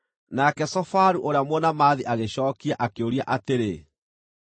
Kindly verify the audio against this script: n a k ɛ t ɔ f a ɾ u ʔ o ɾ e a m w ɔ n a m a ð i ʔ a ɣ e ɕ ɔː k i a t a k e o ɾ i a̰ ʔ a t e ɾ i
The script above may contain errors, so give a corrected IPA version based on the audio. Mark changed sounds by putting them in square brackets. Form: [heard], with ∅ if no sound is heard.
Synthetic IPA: n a k ɛ [s] ɔ f a ɾ u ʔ o ɾ e a m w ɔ n a m a ð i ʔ a ɣ e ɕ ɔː k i a [ʔ] a k e o ɾ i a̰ ʔ a t e ɾ [e]

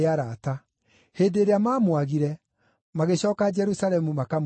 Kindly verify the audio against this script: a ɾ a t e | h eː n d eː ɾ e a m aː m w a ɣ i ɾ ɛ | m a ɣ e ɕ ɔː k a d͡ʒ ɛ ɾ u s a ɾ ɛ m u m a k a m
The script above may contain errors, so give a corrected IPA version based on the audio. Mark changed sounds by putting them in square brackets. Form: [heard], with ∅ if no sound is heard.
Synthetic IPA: a ɾ a t [a] | h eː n d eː ɾ e a m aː m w a ɣ i ɾ ɛ | m a ɣ e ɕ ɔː k a d͡ʒ ɛ ɾ u s a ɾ ɛ m u m a k a m

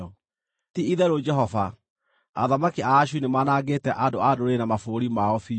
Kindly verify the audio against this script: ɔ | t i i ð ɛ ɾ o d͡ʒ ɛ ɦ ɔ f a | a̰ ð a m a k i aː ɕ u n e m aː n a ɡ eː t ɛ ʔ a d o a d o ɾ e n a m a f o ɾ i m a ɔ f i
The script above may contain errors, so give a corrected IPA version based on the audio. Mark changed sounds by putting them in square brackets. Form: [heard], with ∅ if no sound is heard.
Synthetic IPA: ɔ | t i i ð ɛ ɾ o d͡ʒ ɛ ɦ ɔ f a | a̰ ð a m a k i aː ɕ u n e m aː n a ɡ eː t ɛ ʔ a d o a d o ɾ e n a m a f o ɾ i m a ɔ f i

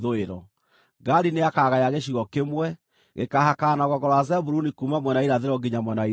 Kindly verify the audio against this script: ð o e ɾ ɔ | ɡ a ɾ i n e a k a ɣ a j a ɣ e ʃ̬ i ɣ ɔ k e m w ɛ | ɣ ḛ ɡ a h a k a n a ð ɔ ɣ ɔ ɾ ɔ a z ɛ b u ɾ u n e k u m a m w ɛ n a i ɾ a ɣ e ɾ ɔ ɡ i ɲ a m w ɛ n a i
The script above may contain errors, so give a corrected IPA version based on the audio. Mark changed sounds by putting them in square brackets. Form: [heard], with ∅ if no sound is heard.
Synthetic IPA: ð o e ɾ ɔ | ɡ a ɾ i n e a k a ɣ a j a ɣ e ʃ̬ i ɣ ɔ k e m w ɛ | ɣ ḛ [k] a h a k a n a [ɣ] ɔ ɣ ɔ ɾ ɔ a z ɛ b u ɾ u n [i] k u m a m w ɛ n a i ɾ a [ð] e ɾ ɔ ɡ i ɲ a m w ɛ n a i

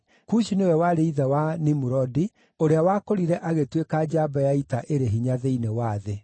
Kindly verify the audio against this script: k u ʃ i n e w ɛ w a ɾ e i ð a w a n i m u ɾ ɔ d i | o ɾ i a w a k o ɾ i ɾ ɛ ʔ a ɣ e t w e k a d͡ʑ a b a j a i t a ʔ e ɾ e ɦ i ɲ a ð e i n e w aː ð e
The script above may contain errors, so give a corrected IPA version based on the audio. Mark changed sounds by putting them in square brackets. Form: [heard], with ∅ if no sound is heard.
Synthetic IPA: k u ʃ i n e w ɛ w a ɾ e i ð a w a n i m u ɾ ɔ d i | o ɾ [e] a w a k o ɾ i ɾ ɛ ʔ a ɣ e t w e k a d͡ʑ a b a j a i t a ʔ e ɾ e ɦ i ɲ a ð e i n e w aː ð e

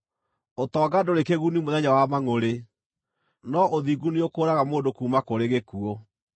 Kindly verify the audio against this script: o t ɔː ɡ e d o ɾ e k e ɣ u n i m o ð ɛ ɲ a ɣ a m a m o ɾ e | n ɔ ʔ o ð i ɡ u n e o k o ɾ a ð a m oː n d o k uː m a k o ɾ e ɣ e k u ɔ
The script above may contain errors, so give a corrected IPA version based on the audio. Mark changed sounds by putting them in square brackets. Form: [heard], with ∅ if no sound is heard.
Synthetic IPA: o t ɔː ɡ [a] d o ɾ e k e ɣ u n i m o ð ɛ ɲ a [w] a m a [ŋ] o ɾ e | n ɔ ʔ o ð i ɡ u n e o k o ɾ a [ɣ] a m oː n d o k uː m a k o ɾ e ɣ e k u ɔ

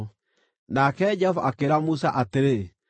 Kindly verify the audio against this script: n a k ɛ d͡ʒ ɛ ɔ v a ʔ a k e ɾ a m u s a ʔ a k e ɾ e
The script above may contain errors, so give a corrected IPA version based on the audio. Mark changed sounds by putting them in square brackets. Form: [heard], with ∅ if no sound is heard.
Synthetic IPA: n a k ɛ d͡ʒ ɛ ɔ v a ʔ a k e ɾ a m u s a ʔ a [t] e ɾ e

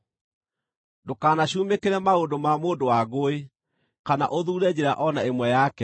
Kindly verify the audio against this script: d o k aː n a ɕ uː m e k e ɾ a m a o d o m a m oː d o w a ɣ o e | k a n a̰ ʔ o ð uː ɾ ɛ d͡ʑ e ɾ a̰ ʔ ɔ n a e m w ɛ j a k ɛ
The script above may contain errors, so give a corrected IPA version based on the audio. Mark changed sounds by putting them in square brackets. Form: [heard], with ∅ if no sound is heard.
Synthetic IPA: d o k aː n a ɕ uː m e k e ɾ [ɛ] m a o d o m a m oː d o w a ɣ o e | k a n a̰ ʔ o ð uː ɾ ɛ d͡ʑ e ɾ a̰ ʔ ɔ n a e m w ɛ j a k ɛ

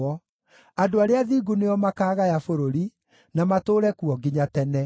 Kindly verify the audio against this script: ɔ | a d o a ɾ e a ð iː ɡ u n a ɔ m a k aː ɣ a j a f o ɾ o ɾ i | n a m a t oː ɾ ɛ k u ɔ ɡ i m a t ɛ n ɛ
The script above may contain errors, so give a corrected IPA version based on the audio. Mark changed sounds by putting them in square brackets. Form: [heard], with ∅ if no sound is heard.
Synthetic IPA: ɔ | a d o a ɾ e a ð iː ɡ u n [e] ɔ m a k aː ɣ a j a f o ɾ o ɾ i | n a m a t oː ɾ ɛ k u ɔ ɡ i [ɲ] a t ɛ n ɛ

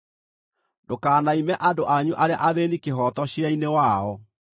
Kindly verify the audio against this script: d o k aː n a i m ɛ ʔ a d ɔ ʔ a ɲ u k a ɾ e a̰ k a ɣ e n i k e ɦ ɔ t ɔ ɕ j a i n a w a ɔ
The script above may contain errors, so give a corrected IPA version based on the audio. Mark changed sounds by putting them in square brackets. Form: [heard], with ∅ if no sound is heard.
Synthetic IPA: d o k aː n a i m ɛ ʔ a d [o] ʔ a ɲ u [ʔ] a ɾ e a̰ [ʔ] a [ð] e n i k e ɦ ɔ t ɔ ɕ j a i n [e] w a ɔ

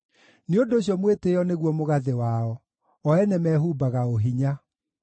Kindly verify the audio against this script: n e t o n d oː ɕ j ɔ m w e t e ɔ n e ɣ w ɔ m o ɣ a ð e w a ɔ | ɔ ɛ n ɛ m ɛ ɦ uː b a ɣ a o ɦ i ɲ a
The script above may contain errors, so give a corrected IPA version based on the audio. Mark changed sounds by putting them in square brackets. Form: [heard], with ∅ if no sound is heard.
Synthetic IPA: n e [∅] o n d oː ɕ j ɔ m w e t e ɔ n e ɣ w ɔ m o ɣ a ð e w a ɔ | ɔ ɛ n ɛ m ɛ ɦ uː b a ɣ a o ɦ i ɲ a

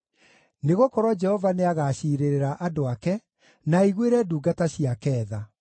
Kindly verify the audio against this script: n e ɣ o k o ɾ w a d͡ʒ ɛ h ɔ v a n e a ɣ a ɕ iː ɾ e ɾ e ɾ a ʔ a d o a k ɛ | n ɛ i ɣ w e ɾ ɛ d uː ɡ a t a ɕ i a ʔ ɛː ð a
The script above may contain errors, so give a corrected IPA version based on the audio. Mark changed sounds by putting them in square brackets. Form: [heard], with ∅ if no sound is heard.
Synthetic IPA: n e ɣ o k [ɔ] ɾ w a d͡ʒ ɛ h ɔ v a n e a ɣ a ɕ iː ɾ e ɾ e ɾ a ʔ a d o a k ɛ | n [a] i ɣ w e ɾ ɛ d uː ɡ a t a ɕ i a [k] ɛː ð a

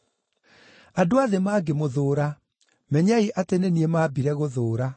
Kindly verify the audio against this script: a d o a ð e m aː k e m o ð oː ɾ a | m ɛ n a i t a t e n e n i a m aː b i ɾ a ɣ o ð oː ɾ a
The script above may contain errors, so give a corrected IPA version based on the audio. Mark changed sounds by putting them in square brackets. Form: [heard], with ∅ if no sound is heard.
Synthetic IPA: a d o a ð e m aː [ɡ] e m o ð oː ɾ a | m ɛ [ɲ] a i [ʔ] a t e n e n i [e] m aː b i ɾ [ɛ] ɣ o ð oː ɾ a

